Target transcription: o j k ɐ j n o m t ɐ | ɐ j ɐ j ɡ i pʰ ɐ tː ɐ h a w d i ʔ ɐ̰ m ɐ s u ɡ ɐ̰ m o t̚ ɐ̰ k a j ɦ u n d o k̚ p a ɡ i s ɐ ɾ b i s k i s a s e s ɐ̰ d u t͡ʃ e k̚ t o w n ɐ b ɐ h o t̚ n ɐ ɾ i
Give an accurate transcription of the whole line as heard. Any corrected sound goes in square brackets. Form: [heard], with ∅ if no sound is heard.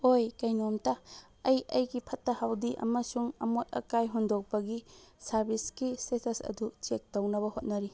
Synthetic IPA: o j k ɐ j n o m t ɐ | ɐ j ɐ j ɡ i pʰ ɐ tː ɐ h a w d i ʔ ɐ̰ m ɐ s u [ŋ] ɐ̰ m o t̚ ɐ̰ k a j ɦ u n d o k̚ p [ɐ] ɡ i s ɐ ɾ b i s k i s [e] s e s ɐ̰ d u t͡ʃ e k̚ t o w n ɐ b ɐ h o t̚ n ɐ ɾ i